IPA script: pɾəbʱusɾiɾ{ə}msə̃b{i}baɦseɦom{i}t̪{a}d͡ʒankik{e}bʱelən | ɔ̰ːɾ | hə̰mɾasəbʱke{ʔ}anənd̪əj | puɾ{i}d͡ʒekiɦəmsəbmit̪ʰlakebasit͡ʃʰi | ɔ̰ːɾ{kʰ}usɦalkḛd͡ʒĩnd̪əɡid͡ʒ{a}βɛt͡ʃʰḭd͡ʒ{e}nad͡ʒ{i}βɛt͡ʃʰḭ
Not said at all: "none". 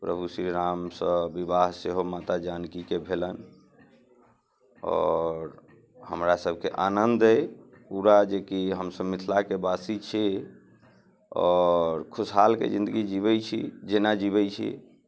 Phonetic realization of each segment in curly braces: a, i, a, a, e, ʔ, a, kʰ, i, e, i

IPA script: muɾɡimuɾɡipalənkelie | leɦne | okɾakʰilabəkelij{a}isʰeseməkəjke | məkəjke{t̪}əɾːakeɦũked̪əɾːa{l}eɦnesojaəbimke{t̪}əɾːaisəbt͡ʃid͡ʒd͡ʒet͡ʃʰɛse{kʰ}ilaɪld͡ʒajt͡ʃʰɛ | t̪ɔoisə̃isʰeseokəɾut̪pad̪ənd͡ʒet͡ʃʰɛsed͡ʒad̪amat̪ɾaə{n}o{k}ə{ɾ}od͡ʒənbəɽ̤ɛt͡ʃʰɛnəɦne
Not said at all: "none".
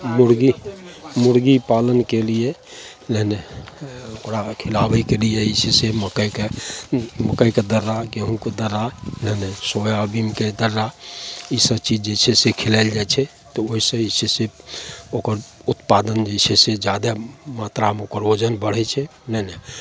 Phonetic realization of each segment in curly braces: e, d̪, l, d̪, kʰ, m, k, ɾ

